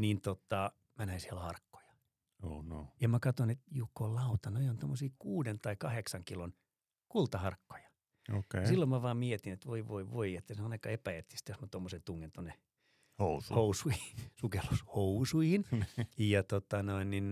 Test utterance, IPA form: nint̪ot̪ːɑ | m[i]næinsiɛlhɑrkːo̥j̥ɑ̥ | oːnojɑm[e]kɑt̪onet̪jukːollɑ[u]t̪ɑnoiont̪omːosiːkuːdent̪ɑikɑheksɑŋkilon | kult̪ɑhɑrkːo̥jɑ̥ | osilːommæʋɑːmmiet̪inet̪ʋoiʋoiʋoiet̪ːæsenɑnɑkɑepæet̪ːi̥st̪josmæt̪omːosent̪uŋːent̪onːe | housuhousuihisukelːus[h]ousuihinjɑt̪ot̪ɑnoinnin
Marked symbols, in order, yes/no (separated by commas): no, no, yes, yes